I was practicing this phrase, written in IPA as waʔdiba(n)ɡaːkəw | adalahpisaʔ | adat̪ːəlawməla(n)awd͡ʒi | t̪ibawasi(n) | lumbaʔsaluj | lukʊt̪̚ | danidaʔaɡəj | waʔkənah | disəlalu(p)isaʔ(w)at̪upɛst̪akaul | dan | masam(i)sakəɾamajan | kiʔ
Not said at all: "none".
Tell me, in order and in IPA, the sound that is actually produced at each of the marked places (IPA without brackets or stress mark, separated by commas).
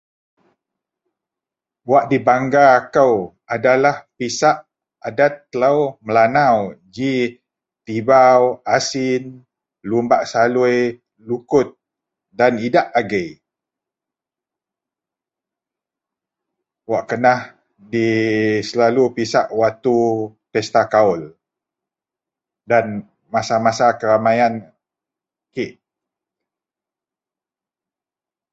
ŋ, n, n, p, w, a